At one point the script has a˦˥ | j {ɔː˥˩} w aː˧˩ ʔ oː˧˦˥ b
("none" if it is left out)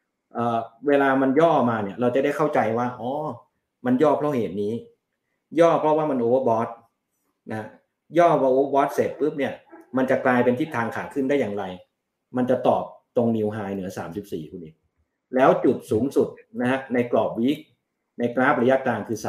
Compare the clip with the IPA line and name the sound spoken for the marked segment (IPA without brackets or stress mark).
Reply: ɔː˥˩